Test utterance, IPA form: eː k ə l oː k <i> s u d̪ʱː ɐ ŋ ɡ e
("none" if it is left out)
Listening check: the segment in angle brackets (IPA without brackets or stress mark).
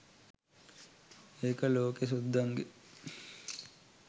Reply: e